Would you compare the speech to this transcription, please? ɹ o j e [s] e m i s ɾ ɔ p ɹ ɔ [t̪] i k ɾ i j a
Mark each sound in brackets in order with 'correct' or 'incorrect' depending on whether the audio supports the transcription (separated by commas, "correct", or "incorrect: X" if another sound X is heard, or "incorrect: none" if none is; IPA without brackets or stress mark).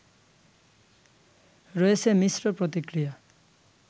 correct, correct